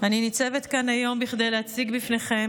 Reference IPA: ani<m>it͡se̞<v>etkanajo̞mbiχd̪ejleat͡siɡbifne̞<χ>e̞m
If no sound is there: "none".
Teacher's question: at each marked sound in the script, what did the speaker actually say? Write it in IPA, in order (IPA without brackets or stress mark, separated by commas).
n, v, χ